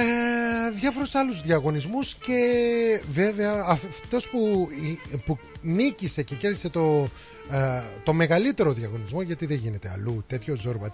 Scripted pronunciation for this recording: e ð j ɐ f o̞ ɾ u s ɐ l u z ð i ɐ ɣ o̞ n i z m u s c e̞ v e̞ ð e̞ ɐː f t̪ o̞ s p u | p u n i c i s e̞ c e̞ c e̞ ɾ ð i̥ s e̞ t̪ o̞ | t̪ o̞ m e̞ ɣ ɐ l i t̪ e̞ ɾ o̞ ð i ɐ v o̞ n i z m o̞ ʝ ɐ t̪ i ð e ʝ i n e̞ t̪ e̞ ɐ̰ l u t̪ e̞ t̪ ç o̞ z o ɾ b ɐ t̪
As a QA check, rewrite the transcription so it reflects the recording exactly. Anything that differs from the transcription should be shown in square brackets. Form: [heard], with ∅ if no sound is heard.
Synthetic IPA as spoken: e ð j ɐ f o̞ ɾ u s ɐ l u z ð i ɐ ɣ o̞ n i z m u s c e̞ v e̞ [v] e̞ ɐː f t̪ o̞ s p u | p u n i c i s e̞ c e̞ c e̞ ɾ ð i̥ s e̞ t̪ o̞ | t̪ o̞ m e̞ ɣ ɐ l i t̪ e̞ ɾ o̞ ð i ɐ [ɣ] o̞ n i z m o̞ ʝ ɐ t̪ i ð e ʝ i n e̞ t̪ e̞ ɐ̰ l u t̪ e̞ t̪ ç o̞ z o ɾ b ɐ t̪